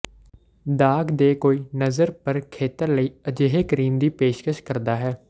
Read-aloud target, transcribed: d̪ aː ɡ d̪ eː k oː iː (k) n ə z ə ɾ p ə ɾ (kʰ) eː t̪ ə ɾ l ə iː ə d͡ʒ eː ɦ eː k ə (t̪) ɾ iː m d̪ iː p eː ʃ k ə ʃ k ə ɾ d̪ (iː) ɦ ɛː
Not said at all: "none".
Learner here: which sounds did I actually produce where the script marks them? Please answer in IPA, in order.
none, kʰ, none, aː

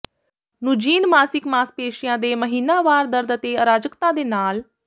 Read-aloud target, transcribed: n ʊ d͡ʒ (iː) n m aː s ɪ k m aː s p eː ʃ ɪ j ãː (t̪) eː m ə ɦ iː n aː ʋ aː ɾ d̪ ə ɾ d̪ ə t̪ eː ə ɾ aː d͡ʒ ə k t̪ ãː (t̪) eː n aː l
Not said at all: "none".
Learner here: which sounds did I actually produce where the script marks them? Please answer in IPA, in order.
iː, d̪, d̪

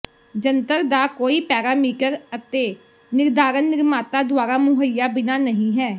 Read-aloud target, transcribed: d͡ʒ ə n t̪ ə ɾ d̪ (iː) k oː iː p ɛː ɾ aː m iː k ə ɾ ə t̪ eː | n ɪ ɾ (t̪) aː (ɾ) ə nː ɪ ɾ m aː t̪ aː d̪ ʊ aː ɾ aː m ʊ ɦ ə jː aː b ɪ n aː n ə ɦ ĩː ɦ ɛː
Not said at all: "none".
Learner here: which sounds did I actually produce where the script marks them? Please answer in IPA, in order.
aː, d̪, ɾ

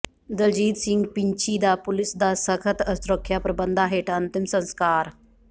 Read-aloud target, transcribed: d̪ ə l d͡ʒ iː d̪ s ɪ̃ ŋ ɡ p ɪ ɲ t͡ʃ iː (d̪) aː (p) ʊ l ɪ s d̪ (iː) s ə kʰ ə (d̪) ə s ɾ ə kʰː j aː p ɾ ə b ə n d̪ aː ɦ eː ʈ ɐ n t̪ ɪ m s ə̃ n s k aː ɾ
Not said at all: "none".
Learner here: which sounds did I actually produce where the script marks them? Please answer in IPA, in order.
d̪, p, aː, t̪

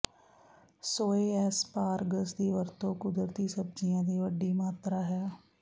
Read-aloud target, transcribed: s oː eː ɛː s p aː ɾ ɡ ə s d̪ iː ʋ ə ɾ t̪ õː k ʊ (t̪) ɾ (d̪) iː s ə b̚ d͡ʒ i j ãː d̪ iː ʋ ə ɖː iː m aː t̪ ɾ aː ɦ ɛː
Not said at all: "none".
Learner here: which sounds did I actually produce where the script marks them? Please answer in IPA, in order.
d̪, t̪

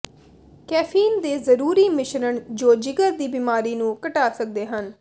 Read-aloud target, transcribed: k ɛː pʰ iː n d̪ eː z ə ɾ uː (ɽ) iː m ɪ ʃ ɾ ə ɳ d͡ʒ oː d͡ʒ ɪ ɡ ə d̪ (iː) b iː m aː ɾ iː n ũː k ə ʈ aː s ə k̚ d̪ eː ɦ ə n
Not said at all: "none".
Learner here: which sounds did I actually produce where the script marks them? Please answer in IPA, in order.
ɾ, iː

